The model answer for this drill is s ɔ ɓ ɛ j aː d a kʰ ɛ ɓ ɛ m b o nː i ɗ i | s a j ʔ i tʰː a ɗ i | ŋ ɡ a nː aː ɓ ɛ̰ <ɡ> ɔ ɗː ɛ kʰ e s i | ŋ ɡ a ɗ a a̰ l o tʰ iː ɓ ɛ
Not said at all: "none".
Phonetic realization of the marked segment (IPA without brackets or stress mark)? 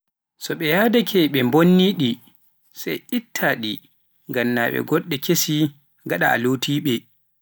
ɡ